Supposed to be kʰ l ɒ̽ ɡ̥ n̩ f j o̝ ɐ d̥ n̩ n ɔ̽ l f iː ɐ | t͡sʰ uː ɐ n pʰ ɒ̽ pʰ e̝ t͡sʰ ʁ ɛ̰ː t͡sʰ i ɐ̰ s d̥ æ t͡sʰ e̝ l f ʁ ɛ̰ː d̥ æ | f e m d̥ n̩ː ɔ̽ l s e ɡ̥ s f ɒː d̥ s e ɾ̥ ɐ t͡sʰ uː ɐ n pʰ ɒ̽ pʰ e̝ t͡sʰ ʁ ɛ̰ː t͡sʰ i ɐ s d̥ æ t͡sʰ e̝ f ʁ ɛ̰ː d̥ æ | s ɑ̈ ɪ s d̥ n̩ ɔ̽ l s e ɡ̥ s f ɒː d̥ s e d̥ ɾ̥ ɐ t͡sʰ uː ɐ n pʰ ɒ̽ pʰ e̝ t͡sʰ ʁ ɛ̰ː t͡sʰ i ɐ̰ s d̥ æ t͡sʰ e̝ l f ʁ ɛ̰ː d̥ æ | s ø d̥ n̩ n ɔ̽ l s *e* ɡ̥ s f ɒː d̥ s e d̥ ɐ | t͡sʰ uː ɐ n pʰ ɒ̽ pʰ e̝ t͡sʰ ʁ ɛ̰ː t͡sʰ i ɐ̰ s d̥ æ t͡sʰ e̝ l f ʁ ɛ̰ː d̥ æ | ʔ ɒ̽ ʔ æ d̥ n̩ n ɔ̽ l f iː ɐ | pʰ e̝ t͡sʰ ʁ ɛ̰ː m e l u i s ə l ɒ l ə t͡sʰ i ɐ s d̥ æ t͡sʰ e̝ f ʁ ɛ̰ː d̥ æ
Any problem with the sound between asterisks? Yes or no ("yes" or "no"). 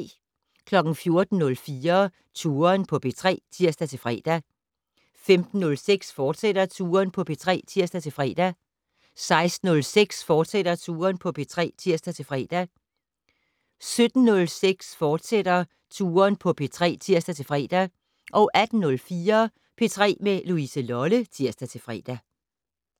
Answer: no